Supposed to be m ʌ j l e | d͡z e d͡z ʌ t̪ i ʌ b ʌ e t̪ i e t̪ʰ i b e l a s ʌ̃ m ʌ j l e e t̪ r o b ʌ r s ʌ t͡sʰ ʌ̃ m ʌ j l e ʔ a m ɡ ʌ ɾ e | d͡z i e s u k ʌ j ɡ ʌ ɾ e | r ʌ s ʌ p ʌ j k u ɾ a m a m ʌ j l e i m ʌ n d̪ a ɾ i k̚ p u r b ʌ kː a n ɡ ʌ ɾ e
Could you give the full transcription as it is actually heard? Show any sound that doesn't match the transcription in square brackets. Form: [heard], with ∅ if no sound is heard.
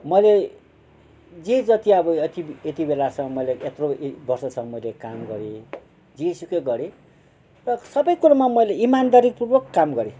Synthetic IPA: m ʌ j l e | d͡z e d͡z ʌ t̪ i ʌ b ʌ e t̪ i e [t̪] i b e l a s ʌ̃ m ʌ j l e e t̪ r o b ʌ r s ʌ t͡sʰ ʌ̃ m ʌ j l e [k] a m ɡ ʌ ɾ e | d͡z i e s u k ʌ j ɡ ʌ ɾ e | r ʌ s ʌ [b] ʌ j k u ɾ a m a m ʌ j l e i m [a] n d̪ a ɾ i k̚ p u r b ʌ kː a [m] ɡ ʌ ɾ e